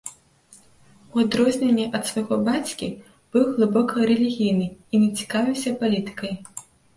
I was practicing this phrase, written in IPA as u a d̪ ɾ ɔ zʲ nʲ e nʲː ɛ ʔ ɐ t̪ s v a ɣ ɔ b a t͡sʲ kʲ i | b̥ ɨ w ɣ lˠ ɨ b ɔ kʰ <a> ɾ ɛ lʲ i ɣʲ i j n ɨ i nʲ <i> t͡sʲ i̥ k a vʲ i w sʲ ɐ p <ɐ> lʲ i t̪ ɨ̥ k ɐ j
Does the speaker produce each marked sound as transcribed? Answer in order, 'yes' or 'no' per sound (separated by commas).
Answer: no, no, no